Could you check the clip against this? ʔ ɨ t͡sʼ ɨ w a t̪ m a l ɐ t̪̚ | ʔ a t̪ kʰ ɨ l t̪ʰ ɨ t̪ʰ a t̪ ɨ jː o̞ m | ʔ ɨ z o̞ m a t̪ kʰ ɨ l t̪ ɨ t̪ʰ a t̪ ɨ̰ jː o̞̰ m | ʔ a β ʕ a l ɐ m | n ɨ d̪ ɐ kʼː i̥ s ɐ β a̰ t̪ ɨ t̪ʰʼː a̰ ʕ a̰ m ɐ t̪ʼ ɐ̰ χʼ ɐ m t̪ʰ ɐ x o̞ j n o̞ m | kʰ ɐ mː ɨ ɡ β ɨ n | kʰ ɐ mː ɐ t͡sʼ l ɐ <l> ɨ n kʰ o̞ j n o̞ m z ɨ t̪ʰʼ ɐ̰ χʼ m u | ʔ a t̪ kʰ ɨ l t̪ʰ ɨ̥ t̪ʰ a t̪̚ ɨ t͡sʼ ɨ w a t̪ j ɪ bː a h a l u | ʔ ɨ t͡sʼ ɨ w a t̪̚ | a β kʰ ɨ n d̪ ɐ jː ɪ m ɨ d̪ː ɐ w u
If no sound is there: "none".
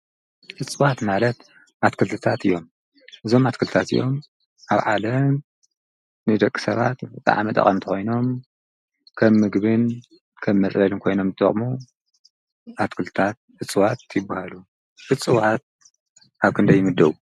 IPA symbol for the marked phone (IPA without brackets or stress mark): l